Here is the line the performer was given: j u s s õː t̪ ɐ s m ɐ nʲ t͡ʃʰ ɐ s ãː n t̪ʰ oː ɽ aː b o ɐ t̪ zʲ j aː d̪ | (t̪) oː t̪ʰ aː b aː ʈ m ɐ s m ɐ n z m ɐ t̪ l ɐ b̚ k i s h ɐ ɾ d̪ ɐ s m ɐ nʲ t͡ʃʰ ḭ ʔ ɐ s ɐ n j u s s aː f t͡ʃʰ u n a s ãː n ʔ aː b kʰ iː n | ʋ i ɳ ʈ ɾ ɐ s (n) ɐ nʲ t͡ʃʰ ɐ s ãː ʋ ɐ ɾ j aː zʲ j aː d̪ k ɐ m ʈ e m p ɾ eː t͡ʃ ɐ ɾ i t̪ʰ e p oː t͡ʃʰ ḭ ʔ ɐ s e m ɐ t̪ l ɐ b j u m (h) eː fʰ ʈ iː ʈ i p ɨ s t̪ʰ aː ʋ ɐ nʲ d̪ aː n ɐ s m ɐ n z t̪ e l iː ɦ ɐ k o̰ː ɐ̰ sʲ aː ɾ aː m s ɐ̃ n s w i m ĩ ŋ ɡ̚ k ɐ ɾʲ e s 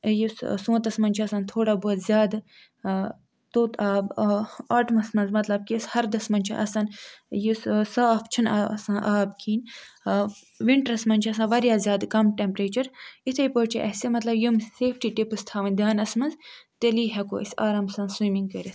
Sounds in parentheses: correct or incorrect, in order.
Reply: correct, incorrect, incorrect

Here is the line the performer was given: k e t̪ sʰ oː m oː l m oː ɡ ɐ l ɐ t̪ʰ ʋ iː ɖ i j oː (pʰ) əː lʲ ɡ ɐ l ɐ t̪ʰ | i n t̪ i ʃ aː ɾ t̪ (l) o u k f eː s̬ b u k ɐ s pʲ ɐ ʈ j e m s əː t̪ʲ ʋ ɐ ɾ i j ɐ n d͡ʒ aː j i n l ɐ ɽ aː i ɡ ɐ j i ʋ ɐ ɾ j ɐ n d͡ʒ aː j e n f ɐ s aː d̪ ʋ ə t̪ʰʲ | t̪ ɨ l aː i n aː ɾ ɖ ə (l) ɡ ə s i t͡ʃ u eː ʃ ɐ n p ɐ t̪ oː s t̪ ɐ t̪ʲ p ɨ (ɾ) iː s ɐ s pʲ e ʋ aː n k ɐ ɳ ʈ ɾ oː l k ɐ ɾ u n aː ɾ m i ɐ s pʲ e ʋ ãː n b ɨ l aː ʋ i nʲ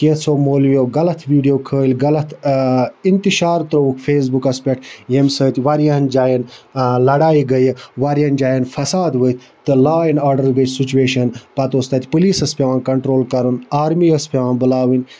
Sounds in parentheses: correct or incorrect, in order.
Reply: incorrect, incorrect, incorrect, incorrect

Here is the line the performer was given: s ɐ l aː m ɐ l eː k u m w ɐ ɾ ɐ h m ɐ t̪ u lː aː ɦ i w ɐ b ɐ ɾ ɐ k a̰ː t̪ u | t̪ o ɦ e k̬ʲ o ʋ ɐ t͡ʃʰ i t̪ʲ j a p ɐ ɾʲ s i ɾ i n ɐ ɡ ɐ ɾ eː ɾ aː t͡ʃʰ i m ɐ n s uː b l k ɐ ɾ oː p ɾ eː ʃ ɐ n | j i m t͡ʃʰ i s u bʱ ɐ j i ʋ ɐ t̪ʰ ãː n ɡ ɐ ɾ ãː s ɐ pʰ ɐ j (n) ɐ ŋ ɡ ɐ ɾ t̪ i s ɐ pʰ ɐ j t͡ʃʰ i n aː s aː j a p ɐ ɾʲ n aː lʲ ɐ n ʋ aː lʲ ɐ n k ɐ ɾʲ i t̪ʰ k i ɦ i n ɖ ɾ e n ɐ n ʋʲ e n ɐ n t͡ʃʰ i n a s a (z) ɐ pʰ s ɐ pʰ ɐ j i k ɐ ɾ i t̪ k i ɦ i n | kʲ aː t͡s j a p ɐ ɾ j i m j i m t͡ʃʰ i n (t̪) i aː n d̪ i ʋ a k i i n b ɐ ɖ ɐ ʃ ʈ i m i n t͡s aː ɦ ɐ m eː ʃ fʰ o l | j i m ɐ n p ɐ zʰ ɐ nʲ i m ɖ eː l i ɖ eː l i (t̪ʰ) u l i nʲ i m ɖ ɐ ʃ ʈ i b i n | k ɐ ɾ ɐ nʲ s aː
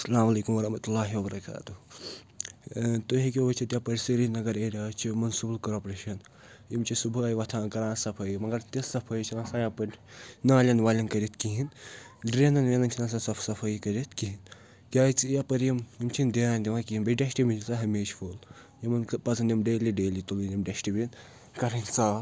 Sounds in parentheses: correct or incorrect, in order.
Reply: incorrect, incorrect, incorrect, incorrect

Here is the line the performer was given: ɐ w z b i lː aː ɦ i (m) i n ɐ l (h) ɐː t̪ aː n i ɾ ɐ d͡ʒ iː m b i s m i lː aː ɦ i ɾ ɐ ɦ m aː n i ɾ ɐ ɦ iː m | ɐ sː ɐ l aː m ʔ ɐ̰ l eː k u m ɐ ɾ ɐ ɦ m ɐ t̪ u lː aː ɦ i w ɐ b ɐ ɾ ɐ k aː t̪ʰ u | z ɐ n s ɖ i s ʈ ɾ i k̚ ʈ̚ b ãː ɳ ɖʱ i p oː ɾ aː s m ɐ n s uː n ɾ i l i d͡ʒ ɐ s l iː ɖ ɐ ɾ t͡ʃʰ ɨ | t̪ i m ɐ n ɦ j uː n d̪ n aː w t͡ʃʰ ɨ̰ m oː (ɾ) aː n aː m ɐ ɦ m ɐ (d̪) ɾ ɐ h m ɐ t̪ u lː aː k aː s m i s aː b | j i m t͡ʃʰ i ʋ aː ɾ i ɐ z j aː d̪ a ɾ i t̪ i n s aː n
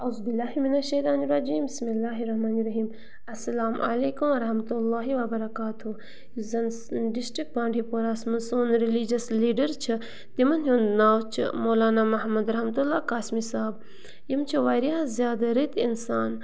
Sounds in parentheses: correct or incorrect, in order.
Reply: correct, incorrect, incorrect, correct

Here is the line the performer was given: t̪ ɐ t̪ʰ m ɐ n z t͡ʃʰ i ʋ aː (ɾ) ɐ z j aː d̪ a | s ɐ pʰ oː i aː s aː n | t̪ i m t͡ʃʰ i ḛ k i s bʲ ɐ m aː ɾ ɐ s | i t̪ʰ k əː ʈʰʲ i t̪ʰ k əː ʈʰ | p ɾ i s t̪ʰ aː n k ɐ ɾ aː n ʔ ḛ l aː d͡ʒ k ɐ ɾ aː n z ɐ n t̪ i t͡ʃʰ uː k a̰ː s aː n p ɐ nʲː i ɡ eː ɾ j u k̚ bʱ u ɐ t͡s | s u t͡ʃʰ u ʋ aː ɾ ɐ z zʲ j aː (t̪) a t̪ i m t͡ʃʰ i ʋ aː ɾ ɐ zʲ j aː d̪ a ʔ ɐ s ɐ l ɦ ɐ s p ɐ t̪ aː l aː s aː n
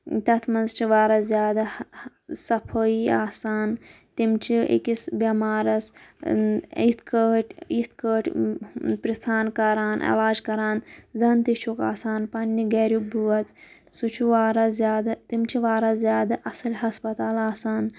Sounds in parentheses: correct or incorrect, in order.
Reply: correct, incorrect

